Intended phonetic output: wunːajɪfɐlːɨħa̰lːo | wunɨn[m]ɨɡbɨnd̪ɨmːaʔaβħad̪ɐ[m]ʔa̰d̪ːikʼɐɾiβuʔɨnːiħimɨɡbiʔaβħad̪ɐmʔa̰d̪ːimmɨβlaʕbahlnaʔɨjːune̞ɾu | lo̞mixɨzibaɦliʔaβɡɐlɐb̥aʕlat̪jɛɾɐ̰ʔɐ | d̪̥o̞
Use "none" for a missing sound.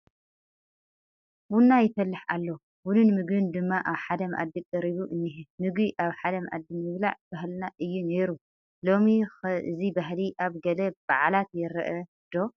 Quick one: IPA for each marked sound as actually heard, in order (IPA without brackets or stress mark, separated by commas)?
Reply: m, m